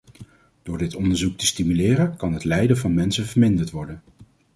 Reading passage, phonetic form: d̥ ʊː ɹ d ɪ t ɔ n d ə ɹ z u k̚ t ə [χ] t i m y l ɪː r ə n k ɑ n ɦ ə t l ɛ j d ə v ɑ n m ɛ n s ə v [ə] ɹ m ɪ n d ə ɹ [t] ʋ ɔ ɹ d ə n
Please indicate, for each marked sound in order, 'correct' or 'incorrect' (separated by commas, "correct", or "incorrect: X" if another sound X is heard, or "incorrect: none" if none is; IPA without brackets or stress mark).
incorrect: s, correct, correct